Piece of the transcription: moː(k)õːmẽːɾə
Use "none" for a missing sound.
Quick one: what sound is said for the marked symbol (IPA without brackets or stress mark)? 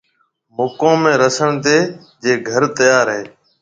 k